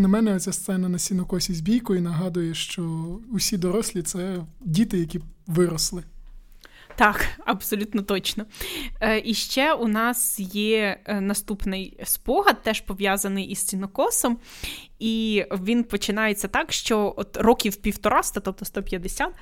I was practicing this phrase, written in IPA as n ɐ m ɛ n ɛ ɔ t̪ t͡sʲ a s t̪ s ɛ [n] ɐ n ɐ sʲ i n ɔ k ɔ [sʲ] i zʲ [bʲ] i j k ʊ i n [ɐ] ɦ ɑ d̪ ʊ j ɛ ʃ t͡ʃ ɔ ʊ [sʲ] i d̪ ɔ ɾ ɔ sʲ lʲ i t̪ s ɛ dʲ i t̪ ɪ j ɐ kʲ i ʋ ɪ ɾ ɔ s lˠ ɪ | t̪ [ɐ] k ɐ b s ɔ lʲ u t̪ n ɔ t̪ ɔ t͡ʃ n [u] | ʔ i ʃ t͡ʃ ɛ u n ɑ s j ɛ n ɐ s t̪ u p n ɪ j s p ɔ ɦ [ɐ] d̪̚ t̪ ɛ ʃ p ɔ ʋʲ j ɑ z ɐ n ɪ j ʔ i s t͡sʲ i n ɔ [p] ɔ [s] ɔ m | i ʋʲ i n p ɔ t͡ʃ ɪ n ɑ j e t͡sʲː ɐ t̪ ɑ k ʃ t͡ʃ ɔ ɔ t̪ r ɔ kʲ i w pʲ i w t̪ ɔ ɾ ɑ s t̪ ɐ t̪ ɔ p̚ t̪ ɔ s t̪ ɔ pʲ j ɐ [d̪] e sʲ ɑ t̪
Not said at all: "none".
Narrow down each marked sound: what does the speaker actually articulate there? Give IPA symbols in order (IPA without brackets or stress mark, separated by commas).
n, sʲ, bʲ, ɐ, sʲ, ɑ, ɔ, ɐ, k, s, d̪